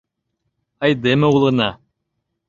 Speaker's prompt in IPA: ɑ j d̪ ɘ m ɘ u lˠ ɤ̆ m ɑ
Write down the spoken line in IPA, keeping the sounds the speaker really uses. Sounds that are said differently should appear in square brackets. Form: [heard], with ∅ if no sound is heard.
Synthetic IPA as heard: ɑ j d̪ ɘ m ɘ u lˠ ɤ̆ [n] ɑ